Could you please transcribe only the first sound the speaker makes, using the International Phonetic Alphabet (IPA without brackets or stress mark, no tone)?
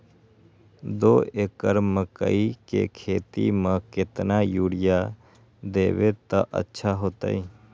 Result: d̪